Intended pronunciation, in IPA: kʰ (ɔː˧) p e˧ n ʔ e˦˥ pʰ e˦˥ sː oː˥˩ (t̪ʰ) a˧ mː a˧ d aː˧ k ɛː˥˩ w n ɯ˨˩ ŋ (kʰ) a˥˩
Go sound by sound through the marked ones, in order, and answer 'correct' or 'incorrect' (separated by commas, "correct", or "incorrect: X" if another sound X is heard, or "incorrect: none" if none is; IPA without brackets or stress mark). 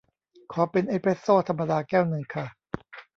incorrect: ɔː˩˦, correct, correct